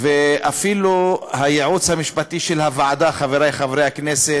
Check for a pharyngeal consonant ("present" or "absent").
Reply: present